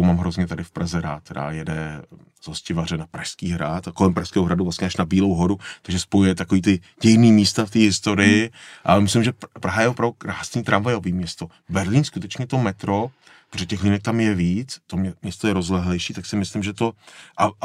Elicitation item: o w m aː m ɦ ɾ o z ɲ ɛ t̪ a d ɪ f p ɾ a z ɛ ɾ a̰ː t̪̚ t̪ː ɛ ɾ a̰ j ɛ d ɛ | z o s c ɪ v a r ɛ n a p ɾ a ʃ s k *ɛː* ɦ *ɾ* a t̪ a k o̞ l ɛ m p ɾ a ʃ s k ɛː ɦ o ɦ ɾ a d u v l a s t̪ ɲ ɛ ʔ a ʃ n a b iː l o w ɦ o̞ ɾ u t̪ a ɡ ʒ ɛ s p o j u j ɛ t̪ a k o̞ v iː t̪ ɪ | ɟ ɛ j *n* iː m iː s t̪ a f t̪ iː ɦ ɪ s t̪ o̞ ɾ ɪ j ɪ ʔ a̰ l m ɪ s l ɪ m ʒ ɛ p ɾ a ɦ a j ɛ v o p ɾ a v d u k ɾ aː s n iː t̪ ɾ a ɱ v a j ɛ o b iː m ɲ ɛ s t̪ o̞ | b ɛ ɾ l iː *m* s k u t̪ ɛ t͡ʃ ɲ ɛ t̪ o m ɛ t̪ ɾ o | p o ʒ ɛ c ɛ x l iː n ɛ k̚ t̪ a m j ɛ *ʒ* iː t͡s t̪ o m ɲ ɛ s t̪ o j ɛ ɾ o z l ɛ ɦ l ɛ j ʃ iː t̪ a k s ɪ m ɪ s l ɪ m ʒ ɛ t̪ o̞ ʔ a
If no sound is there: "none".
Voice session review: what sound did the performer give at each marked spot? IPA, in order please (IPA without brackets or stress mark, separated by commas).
iː, ɾ, n, n, v